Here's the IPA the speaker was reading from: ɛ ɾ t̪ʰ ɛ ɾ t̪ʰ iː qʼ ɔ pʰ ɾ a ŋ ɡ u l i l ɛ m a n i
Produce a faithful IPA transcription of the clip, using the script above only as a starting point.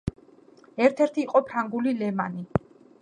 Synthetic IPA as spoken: ɛ ɾ t̪ʰ ɛ ɾ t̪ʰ iː qʼ ɔ pʰ ɾ a ŋ ɡ u l i l ɛ m a n i